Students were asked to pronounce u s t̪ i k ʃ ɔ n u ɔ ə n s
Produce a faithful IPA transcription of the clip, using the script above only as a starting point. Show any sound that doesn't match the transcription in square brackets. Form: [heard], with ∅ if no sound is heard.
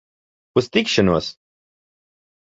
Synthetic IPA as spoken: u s t̪ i k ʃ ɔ n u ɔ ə [∅] s